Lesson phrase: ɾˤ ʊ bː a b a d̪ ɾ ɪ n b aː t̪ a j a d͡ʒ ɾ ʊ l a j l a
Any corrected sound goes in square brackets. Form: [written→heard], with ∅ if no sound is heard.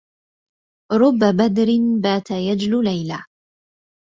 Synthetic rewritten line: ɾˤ ʊ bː a b a d̪ ɾ ɪ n b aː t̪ a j a d͡ʒ [ɾ→l] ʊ l a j l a